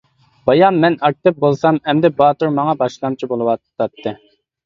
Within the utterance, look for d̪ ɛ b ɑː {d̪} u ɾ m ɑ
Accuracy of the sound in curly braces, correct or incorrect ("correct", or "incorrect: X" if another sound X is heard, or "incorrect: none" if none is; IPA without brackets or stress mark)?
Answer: incorrect: t̪